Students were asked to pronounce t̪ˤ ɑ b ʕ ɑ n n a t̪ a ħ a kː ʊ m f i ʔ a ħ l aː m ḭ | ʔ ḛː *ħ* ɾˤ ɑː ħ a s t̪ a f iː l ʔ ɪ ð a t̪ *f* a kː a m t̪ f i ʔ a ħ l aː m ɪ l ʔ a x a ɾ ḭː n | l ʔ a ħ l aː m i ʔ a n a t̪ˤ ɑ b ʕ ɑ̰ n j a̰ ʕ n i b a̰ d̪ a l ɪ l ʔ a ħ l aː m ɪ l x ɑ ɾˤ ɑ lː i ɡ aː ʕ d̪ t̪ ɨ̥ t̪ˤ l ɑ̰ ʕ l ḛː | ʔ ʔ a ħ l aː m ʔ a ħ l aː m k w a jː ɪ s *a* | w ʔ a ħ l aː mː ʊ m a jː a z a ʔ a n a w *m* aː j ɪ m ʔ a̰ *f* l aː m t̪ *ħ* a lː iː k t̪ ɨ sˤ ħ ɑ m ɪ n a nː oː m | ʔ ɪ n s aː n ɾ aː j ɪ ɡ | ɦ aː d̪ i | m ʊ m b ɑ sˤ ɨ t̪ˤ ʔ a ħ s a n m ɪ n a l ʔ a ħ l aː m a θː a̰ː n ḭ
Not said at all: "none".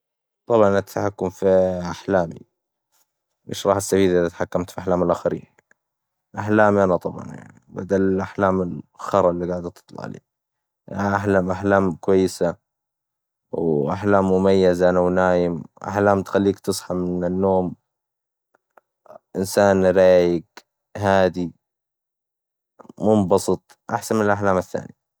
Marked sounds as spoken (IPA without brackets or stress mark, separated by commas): ʃ, ħ, a, n, ħ, x